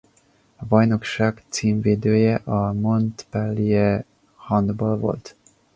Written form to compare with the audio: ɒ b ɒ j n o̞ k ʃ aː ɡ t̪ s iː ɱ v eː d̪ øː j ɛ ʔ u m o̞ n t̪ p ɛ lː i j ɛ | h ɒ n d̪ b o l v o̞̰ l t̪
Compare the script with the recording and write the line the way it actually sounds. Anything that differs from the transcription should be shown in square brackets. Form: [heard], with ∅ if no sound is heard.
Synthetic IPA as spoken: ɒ b ɒ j n o̞ k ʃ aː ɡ t̪ s iː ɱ v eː d̪ øː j ɛ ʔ [ɒ] m o̞ n t̪ p ɛ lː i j ɛ | h ɒ n d̪ b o l v o̞̰ l t̪